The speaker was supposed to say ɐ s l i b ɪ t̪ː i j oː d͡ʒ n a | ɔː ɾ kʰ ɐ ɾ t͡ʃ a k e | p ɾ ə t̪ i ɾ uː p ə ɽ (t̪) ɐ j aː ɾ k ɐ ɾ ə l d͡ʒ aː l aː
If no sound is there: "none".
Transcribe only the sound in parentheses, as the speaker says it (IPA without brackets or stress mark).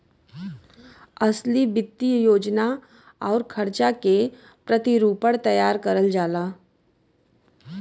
t̪